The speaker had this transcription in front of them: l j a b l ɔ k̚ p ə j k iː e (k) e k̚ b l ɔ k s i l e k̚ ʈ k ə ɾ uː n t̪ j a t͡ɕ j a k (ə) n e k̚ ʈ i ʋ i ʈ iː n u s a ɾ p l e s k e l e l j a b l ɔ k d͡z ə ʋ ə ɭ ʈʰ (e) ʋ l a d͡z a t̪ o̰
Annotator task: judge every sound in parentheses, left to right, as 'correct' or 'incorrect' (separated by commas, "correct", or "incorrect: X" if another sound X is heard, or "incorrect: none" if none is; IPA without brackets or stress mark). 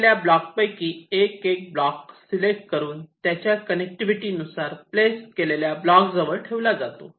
correct, correct, correct